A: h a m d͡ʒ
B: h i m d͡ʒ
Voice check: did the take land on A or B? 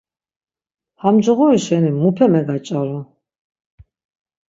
A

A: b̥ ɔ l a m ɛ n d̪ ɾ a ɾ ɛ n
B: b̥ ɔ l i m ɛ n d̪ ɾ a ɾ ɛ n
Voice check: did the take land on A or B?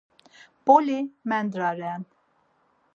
B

